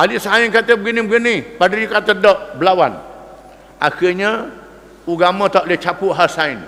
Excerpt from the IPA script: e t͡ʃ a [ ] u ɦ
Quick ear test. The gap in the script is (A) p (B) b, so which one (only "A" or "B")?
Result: A